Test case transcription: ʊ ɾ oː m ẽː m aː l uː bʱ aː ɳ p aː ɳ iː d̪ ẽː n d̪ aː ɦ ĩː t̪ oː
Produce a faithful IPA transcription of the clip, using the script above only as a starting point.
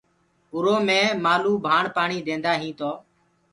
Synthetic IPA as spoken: ʊ ɾ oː m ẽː m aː l uː bʱ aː ɳ p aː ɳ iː d̪ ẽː n d̪ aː ɦ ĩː t̪ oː